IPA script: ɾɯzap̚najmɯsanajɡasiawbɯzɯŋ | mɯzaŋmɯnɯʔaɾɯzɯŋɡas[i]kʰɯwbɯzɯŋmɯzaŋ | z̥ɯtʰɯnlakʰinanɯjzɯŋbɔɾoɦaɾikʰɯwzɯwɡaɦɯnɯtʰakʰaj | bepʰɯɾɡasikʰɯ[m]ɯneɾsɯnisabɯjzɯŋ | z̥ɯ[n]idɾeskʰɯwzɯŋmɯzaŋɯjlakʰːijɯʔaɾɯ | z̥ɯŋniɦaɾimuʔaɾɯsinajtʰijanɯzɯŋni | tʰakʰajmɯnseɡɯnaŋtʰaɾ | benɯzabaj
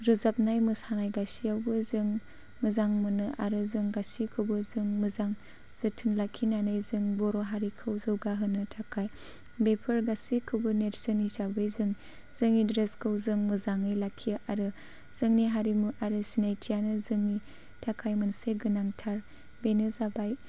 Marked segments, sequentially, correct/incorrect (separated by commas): correct, incorrect, incorrect